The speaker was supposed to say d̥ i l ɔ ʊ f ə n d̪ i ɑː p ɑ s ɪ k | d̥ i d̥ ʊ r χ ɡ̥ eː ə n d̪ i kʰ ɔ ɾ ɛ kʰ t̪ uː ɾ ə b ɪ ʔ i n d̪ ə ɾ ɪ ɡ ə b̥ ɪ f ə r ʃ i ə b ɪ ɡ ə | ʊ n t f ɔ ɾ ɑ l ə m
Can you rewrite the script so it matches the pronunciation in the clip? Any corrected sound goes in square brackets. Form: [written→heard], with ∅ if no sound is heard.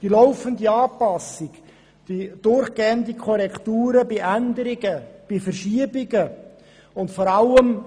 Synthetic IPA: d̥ i l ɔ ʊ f ə n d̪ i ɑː p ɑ s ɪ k | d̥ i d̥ ʊ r χ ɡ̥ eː ə n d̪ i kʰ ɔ ɾ ɛ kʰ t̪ uː ɾ ə b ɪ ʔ [i→æ] n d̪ ə ɾ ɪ ɡ ə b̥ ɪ f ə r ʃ i ə b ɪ ɡ ə | ʊ n t f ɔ ɾ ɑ l ə m